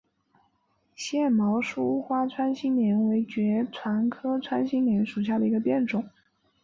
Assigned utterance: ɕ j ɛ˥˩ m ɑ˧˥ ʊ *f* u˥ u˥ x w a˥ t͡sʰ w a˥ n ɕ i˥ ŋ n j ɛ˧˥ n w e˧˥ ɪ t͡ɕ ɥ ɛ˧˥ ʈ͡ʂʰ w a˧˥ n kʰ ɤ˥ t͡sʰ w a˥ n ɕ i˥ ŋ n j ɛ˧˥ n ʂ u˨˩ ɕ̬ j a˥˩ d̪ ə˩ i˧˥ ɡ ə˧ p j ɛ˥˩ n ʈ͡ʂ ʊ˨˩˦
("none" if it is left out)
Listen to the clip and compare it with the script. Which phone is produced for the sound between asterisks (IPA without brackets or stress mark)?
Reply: ʂ